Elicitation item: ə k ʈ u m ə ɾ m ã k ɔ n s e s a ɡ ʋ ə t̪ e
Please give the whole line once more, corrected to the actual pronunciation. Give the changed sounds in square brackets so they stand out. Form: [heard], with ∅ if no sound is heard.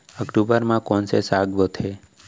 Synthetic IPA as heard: ə k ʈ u [b] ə ɾ m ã k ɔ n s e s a ɡ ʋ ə [t̪ʰ] e